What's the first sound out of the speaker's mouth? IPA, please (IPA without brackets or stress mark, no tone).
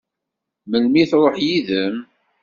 m